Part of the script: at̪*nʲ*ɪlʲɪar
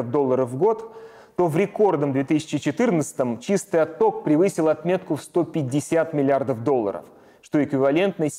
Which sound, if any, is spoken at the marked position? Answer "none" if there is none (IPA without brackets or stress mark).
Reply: mʲ